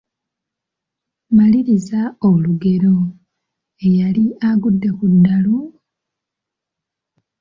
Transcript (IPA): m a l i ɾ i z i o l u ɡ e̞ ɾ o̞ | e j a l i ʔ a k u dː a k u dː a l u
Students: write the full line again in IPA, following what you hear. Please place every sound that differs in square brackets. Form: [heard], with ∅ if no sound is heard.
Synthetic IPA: m a l i ɾ i z [a] o l u ɡ e̞ ɾ o̞ | e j a l i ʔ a [ɡ] u dː [e] k u dː a l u